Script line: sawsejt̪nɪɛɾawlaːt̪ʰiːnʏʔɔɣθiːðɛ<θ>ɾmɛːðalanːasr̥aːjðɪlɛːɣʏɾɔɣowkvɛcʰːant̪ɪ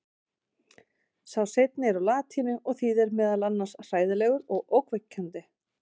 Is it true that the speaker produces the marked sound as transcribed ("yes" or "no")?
no